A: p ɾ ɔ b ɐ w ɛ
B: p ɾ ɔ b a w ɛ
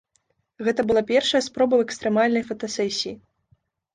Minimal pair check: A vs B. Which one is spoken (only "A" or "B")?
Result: A